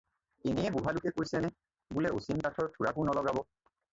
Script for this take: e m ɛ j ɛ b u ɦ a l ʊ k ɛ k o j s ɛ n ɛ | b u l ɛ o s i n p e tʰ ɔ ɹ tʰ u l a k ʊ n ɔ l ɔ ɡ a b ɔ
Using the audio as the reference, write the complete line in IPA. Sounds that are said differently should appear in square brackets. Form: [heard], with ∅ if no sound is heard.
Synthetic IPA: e [n] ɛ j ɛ b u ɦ a l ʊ k ɛ k o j s ɛ n ɛ | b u l ɛ o s i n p [a] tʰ ɔ ɹ tʰ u [ɹ] a k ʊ n ɔ l ɔ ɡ a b ɔ